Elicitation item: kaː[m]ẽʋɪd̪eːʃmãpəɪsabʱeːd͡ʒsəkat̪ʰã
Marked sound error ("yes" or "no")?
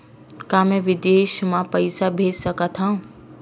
no